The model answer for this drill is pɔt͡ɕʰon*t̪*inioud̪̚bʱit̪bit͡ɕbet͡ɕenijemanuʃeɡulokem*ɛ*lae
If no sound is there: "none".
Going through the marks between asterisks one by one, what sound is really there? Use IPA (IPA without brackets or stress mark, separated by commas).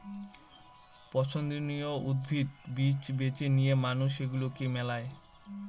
d̪, ɛ